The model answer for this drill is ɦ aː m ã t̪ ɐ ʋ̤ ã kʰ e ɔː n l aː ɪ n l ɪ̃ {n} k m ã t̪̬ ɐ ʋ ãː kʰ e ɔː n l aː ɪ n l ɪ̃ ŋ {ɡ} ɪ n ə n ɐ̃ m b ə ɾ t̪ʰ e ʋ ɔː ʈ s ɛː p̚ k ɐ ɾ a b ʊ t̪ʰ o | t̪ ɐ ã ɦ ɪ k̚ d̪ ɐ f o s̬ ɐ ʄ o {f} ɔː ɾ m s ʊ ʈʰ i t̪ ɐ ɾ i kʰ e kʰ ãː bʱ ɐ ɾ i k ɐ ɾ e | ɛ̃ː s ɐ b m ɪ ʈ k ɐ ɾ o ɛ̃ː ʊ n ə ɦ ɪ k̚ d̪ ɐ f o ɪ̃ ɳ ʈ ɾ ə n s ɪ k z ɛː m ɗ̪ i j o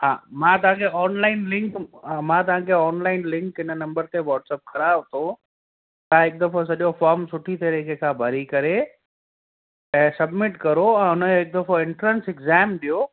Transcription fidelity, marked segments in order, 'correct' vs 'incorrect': incorrect, incorrect, correct

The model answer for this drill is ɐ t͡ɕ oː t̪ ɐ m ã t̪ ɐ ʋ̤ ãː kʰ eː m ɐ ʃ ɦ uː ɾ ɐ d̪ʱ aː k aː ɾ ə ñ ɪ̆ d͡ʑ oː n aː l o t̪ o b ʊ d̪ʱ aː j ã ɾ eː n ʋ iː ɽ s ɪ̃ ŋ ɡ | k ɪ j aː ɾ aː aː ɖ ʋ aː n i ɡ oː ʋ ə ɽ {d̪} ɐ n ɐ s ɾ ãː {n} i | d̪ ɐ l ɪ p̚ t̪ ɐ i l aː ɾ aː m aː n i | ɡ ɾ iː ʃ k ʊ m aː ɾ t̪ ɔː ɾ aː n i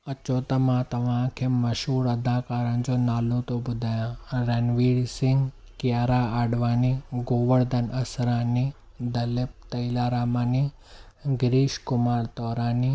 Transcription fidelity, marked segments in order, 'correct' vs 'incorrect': correct, correct

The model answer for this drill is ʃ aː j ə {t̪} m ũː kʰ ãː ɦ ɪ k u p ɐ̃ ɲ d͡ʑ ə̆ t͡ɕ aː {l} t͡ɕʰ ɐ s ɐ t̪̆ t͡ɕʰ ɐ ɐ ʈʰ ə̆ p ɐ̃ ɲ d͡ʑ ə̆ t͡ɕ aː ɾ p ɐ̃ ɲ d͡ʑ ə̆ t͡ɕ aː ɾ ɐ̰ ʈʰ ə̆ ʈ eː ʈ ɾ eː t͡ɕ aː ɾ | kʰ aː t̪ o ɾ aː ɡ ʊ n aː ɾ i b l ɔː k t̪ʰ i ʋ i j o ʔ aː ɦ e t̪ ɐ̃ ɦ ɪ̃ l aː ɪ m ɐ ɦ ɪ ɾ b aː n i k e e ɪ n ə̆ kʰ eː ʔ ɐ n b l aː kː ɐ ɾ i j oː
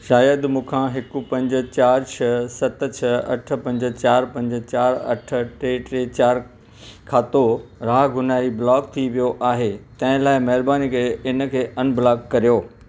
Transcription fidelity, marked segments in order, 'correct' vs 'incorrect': incorrect, incorrect

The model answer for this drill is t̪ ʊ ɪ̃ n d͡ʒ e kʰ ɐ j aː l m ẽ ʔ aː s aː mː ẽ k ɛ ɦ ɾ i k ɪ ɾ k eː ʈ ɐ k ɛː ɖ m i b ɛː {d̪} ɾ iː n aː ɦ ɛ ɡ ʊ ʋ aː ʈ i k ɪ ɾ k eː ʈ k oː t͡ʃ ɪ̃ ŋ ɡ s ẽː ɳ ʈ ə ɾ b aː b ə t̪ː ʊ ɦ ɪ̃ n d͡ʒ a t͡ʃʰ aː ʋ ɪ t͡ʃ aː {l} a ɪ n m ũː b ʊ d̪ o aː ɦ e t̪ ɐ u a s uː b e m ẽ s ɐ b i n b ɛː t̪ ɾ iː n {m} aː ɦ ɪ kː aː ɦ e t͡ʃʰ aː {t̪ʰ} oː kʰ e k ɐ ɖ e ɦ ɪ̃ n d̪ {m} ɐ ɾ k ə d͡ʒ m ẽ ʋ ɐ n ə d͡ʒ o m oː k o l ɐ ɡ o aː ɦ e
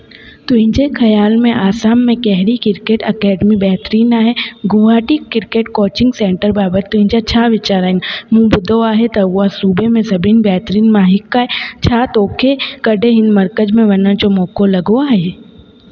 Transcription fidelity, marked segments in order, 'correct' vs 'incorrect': incorrect, incorrect, correct, incorrect, correct

